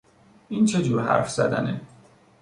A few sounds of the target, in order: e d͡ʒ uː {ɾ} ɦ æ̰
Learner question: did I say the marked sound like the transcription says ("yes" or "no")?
yes